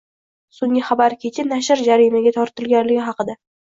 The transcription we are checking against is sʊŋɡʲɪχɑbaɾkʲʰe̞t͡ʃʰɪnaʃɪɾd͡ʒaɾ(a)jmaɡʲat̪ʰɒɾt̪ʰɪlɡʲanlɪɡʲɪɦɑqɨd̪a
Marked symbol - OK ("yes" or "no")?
no